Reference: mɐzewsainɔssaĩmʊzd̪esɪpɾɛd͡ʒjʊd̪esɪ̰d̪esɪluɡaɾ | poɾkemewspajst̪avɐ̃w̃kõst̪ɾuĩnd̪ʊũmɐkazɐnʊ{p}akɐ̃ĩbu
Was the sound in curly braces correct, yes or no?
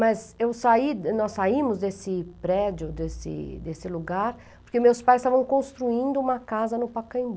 yes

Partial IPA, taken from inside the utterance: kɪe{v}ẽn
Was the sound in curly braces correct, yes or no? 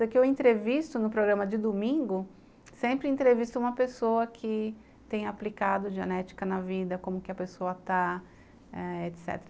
no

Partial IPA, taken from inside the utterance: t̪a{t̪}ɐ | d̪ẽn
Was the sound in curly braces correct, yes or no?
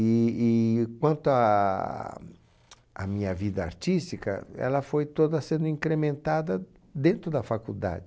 no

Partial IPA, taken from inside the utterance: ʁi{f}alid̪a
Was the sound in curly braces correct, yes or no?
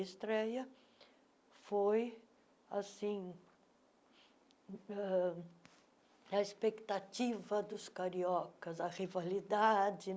no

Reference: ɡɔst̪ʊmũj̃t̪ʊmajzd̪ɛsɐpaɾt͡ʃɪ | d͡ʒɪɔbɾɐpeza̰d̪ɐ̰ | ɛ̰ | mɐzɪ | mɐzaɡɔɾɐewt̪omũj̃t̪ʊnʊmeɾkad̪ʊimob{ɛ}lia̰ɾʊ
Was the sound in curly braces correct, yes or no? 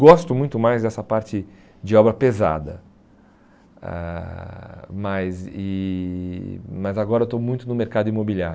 no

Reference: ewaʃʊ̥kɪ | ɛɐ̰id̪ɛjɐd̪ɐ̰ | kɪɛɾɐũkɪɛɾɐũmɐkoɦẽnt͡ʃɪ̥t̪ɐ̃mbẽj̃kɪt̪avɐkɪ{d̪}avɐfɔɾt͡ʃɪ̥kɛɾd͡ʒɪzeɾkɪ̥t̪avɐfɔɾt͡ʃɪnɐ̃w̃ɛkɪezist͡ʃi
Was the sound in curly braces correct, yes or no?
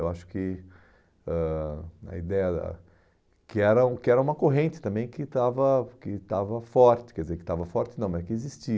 no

